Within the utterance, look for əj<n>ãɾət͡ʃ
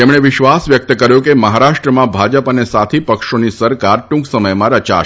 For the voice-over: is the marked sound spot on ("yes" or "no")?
no